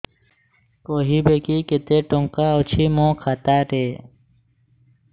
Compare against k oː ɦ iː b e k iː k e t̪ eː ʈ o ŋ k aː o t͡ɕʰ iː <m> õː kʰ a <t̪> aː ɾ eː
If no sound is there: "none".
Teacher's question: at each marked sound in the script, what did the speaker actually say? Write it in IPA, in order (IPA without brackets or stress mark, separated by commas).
m, t̪